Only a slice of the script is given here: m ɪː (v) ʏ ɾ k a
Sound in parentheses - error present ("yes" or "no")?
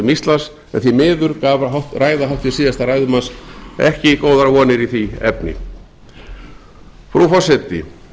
yes